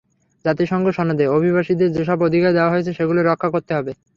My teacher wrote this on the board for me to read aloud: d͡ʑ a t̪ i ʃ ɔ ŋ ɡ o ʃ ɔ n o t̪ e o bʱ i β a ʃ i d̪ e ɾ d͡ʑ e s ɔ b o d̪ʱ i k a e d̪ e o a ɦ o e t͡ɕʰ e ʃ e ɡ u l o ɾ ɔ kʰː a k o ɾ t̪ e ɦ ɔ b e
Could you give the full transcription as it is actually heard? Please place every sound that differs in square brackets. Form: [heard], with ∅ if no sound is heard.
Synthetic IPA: d͡ʑ a t̪ i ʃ ɔ ŋ ɡ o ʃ ɔ n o [d̪] e o bʱ i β a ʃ i d̪ e ɾ d͡ʑ e [ʃ] ɔ b o d̪ʱ i k a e d̪ e o a ɦ o e t͡ɕʰ e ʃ e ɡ u l o ɾ ɔ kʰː a k o ɾ t̪ e ɦ ɔ b e